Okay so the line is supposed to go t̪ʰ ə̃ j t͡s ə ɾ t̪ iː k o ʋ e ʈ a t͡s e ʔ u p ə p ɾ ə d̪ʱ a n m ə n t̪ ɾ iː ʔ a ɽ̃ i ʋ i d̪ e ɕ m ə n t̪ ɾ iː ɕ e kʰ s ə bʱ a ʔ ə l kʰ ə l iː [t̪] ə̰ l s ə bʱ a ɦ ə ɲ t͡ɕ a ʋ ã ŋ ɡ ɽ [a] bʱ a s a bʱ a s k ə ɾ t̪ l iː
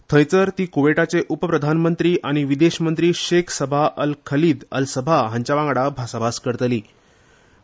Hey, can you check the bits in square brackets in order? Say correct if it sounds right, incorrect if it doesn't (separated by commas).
incorrect, correct